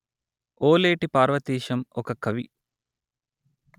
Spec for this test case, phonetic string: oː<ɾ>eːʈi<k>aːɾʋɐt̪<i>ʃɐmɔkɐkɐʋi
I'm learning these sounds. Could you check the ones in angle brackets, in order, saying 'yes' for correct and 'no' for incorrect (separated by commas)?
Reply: no, no, no